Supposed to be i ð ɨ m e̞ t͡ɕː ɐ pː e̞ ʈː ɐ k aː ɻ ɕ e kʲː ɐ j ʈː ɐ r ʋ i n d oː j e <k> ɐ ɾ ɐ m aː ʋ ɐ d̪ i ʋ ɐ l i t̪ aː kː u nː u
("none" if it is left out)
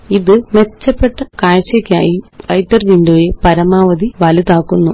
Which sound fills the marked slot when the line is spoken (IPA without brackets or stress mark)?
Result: p